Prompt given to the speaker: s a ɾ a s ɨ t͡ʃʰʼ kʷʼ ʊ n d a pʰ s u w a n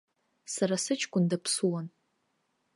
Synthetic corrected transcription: s a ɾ a s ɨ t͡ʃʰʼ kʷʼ ʊ n d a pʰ s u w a n